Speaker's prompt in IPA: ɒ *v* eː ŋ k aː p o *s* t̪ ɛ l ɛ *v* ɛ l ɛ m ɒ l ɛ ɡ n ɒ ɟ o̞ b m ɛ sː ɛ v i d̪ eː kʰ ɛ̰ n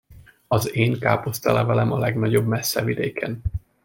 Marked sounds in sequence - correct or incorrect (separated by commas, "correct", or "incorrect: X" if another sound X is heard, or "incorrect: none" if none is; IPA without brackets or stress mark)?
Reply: incorrect: z, correct, correct